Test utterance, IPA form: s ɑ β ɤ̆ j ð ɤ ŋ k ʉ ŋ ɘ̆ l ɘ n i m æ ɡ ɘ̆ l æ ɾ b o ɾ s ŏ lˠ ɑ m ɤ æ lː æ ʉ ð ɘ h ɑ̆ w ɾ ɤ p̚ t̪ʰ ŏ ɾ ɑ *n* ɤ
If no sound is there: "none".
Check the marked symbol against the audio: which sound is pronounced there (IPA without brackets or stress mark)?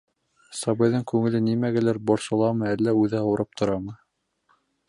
m